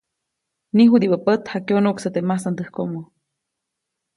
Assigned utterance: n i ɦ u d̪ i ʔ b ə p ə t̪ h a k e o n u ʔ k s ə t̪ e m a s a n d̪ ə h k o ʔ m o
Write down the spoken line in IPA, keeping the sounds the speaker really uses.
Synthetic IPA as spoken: n i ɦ u d̪ i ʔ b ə p ə t̪ h a k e o n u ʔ k s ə t̪ e m a s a n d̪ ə h k o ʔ m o

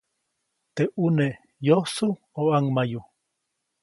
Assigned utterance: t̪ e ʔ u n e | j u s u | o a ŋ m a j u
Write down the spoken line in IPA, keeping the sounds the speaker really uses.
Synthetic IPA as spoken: t̪ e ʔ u n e | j o s u | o a ŋ m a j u

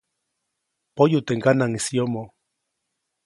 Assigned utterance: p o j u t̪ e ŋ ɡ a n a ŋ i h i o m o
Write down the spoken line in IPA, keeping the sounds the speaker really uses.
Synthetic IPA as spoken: p o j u t̪ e ŋ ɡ a n a ŋ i s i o m o

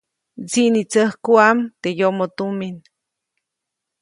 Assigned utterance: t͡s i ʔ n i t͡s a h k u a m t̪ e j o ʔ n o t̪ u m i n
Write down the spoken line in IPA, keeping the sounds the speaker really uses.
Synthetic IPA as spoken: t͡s i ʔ n i t͡s ə h k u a m t̪ e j o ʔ m o t̪ u m i n

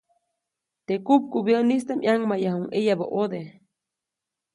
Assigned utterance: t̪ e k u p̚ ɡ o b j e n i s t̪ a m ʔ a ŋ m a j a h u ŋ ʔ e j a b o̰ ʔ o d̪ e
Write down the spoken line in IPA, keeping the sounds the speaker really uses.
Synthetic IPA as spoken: t̪ e k u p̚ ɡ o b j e n i s t̪ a m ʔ a ŋ m a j a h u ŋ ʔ e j a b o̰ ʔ o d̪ e

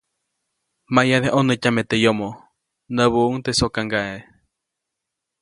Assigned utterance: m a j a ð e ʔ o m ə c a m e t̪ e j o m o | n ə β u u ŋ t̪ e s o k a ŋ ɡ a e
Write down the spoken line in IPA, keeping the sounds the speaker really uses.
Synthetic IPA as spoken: m a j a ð e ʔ o n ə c a m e t̪ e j o m o | n ə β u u ŋ t̪ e s o k a ŋ ɡ a e

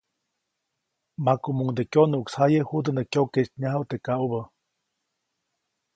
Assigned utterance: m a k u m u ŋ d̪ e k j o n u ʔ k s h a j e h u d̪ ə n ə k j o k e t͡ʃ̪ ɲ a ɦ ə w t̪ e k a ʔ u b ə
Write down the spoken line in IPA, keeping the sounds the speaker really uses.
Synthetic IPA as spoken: m a k u m u ŋ d̪ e k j o n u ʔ k s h a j e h u d̪ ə n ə k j o k e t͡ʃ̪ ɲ a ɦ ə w t̪ e k a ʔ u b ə

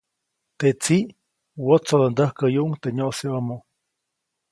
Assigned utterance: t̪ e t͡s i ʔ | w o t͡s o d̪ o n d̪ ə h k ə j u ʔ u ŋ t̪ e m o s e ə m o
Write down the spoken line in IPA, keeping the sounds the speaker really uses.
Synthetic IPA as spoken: t̪ e t͡s i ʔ | w o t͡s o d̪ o n d̪ ə h k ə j u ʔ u ŋ t̪ e ɲ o s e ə m o

